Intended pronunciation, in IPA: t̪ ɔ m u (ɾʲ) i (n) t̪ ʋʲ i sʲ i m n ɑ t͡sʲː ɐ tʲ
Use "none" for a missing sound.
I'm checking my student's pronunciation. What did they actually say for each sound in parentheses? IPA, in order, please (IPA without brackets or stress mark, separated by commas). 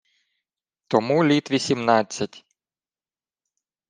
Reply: lʲ, none